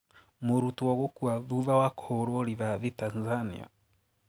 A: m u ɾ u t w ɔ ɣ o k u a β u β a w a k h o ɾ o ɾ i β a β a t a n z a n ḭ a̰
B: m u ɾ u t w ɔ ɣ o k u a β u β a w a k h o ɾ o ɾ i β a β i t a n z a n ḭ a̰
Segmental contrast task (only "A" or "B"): B